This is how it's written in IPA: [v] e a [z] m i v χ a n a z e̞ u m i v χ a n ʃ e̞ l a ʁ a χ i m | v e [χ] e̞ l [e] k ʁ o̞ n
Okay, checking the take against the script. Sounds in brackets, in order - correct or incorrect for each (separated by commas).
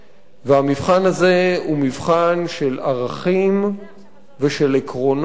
correct, incorrect, incorrect, correct